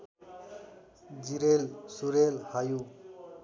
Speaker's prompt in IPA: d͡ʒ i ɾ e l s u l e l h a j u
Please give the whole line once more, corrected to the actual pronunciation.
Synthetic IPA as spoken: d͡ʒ i ɾ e l s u ɾ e l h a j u